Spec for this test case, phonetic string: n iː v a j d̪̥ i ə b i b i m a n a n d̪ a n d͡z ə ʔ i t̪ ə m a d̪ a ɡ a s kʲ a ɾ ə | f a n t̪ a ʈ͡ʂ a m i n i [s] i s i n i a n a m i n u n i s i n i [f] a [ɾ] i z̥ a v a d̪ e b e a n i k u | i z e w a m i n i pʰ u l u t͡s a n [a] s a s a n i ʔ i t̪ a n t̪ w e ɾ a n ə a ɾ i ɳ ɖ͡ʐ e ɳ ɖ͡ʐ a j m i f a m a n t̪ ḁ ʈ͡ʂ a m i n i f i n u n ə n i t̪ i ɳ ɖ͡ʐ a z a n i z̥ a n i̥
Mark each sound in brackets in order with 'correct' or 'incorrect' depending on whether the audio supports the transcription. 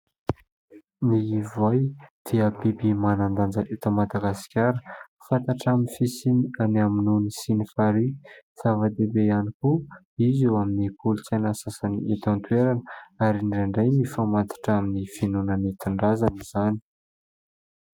incorrect: f, correct, correct, correct

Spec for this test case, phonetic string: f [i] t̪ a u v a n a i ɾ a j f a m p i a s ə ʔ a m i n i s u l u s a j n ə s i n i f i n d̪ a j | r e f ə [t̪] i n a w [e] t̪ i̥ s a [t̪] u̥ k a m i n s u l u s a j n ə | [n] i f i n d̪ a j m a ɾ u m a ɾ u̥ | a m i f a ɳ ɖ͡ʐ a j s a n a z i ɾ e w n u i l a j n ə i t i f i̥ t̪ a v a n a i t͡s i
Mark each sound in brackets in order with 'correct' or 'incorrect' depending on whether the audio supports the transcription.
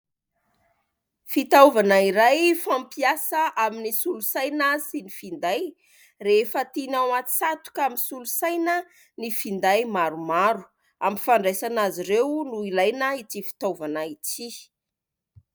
correct, correct, incorrect: a, correct, correct

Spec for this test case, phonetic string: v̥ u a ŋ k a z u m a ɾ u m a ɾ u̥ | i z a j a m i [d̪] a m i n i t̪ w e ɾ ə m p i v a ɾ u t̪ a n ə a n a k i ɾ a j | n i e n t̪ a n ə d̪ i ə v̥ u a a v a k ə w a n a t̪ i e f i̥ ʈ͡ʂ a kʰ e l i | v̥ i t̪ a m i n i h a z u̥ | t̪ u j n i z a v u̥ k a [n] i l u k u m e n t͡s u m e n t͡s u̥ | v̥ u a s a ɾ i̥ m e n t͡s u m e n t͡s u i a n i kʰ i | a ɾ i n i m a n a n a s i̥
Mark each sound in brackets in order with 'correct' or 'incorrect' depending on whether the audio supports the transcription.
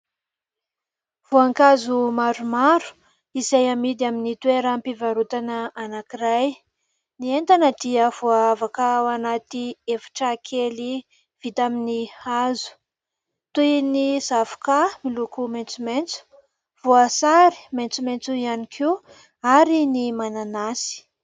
correct, incorrect: m

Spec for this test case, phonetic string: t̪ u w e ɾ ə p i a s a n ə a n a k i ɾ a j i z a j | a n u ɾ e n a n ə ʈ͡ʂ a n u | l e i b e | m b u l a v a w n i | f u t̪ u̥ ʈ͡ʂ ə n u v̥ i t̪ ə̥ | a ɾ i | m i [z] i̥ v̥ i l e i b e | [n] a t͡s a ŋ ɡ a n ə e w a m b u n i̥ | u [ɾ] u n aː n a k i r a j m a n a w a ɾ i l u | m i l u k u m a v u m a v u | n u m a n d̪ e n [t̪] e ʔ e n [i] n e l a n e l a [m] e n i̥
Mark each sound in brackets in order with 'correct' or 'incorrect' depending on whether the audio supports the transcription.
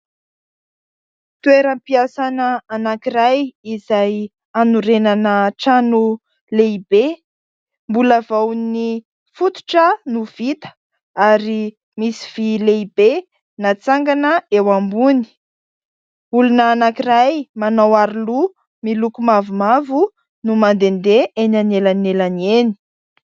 incorrect: s, correct, incorrect: l, incorrect: d̪, incorrect: a, incorrect: n

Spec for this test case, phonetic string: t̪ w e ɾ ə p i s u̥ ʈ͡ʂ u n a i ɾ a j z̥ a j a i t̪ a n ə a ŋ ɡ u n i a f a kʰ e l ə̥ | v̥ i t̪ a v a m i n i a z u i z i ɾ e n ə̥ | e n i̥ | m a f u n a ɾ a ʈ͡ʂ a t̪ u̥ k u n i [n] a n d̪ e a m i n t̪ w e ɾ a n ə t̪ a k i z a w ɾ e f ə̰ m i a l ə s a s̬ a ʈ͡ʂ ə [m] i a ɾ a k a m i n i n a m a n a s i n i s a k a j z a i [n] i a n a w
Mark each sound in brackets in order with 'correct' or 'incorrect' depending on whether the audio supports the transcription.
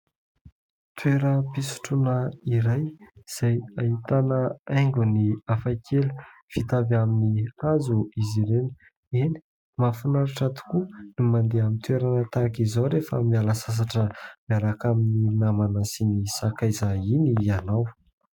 incorrect: m, correct, correct

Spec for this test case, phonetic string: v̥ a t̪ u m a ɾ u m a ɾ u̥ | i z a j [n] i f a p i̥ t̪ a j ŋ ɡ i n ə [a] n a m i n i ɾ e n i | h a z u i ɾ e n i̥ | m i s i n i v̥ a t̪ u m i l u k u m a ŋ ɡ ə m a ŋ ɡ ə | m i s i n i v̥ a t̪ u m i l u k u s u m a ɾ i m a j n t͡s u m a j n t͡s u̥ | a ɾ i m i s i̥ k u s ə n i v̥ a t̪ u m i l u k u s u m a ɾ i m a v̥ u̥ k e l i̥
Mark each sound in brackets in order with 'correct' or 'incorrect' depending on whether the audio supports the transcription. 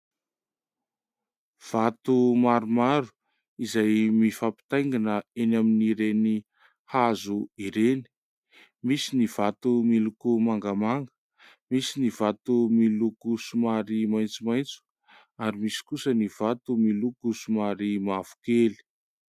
incorrect: m, incorrect: e

